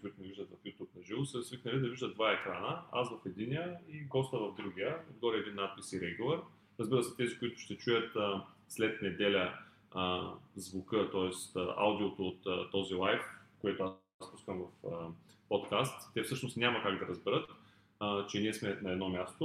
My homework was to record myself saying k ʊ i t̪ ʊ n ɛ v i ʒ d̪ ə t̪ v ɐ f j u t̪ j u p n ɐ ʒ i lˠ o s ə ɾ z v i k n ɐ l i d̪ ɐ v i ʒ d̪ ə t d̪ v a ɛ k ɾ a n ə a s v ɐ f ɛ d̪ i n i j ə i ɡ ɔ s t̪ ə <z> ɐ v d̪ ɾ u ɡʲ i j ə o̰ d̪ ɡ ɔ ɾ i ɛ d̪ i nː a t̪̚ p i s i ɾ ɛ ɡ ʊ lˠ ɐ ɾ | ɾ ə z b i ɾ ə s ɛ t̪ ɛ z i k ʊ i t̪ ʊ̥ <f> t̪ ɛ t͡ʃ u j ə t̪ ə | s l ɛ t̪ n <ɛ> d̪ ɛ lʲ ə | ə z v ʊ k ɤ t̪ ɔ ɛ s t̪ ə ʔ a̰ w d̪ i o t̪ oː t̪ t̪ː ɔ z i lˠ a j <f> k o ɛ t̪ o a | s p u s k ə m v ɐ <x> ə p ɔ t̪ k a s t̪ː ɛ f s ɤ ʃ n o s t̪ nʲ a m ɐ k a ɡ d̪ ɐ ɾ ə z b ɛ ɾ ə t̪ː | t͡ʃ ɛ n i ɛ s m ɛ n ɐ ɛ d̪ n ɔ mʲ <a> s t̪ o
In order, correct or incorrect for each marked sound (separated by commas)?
incorrect, incorrect, correct, correct, incorrect, correct